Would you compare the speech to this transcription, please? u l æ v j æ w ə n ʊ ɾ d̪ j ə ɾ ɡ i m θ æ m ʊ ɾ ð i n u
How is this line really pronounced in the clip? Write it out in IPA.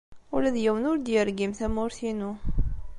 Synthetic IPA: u l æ ð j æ w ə n ʊ ɾ d̪ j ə ɾ ɡ i m θ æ m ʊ ɾ θ i n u